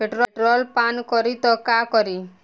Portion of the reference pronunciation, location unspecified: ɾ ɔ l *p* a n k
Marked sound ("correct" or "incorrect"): correct